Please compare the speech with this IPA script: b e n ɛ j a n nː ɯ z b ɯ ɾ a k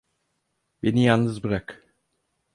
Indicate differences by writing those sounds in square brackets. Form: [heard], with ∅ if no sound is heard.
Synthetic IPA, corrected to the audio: b e n [i] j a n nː ɯ z b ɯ ɾ a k